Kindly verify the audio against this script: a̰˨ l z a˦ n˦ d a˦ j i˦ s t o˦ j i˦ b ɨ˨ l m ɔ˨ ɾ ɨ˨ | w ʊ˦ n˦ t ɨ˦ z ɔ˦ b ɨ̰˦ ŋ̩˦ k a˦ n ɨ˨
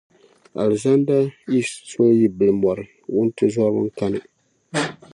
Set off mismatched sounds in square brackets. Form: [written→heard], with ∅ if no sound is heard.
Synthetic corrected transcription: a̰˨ l z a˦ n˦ d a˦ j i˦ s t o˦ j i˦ b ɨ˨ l m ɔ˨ ɾ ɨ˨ | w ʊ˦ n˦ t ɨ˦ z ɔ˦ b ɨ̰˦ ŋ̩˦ k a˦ n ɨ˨